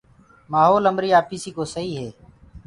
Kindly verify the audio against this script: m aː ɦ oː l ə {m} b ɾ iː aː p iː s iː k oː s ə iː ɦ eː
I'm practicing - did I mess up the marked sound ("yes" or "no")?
no